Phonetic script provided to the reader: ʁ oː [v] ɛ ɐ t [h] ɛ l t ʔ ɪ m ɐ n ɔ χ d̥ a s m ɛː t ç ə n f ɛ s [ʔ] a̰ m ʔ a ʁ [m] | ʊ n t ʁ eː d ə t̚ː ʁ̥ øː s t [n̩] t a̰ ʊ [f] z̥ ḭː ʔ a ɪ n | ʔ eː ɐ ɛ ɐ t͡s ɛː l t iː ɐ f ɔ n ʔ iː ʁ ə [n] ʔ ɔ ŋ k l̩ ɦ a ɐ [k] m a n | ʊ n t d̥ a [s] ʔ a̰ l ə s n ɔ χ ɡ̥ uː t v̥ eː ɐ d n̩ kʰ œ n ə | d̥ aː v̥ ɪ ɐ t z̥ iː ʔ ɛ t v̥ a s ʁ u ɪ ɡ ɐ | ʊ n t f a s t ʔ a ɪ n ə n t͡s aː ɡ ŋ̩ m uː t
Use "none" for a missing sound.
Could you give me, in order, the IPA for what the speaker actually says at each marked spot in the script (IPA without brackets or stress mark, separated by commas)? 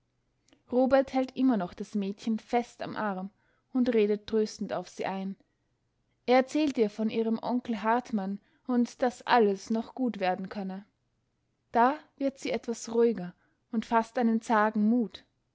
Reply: b, h, t, m, n̩, f, m, t, s